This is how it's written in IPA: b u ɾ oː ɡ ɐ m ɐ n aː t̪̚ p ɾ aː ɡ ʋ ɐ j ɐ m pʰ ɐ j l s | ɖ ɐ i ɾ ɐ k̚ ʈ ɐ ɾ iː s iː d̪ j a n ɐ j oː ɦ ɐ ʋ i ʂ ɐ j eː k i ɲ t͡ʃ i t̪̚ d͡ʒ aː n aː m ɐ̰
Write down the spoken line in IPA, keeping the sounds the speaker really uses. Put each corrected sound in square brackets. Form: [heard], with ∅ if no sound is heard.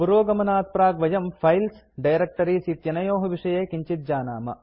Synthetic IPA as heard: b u ɾ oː ɡ ɐ m ɐ n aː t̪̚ p ɾ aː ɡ ʋ ɐ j ɐ m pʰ ɐ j l s | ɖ ɐ [j] ɾ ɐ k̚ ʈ ɐ ɾ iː s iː [t̪] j [ɐ] n ɐ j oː ɦ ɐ ʋ i ʂ ɐ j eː k i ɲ t͡ʃ i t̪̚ d͡ʒ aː n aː m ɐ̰